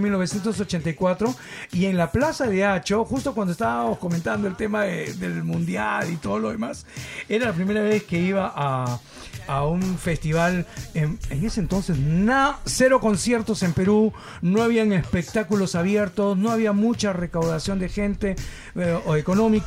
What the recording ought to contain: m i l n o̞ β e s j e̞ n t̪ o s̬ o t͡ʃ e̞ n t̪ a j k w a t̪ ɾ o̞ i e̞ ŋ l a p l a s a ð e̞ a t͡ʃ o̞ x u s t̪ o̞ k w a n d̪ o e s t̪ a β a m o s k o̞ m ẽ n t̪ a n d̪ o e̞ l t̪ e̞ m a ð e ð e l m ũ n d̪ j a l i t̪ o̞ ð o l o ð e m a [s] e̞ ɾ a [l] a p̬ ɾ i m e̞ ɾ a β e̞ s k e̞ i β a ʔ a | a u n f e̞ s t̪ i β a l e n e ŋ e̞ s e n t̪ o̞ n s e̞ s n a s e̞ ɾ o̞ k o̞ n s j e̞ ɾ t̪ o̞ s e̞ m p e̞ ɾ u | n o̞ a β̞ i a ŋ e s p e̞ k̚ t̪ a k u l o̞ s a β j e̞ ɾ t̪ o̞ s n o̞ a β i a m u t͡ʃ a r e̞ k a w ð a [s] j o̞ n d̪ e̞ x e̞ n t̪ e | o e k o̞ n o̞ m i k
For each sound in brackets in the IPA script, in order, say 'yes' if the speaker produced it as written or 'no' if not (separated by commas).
yes, yes, yes